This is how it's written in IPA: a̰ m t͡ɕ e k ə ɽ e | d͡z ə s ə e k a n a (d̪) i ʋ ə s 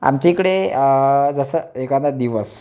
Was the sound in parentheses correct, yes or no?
yes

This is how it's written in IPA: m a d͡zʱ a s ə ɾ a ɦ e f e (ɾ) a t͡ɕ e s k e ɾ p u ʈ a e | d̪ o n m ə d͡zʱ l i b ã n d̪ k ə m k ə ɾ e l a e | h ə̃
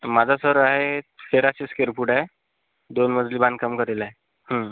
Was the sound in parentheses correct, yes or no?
yes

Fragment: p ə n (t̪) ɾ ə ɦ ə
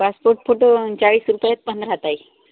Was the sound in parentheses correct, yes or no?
no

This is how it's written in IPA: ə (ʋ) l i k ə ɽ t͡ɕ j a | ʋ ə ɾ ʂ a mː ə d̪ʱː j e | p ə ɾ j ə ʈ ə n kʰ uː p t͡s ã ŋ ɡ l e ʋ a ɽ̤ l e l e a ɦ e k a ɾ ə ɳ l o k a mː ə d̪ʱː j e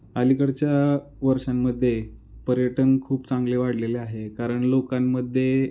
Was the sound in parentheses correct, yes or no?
no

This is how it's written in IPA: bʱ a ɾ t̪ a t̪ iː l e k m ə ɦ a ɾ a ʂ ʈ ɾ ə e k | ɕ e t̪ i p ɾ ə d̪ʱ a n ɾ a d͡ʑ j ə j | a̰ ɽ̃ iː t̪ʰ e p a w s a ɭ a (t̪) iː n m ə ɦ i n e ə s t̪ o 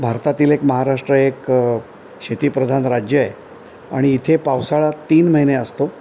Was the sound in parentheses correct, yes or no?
yes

